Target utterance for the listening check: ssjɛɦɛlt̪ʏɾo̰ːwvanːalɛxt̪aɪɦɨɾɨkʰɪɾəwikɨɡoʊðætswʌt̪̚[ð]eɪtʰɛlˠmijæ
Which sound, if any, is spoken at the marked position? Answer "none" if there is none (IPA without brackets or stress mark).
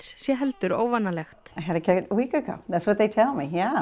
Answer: ð